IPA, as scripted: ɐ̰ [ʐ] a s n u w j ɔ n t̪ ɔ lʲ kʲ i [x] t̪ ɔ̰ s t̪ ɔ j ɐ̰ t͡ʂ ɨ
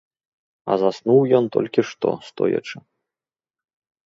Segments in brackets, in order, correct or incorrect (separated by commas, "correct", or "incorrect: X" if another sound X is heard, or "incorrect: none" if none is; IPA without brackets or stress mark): incorrect: z, incorrect: ʂ